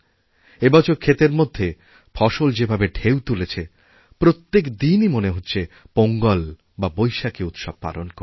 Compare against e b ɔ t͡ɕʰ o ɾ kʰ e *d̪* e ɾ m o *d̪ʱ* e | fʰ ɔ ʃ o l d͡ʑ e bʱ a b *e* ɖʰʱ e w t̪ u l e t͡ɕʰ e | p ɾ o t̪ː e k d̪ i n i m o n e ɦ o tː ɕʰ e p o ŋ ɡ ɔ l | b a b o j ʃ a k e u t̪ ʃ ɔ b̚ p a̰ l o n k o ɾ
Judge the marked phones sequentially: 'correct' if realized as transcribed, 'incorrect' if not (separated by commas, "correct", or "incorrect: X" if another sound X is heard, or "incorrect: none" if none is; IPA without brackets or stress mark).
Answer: incorrect: t̪, incorrect: d̪ʱː, correct